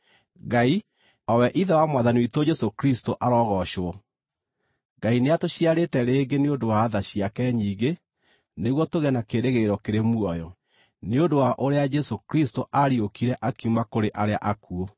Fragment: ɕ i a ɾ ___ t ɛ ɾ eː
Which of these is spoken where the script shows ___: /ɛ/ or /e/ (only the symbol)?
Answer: e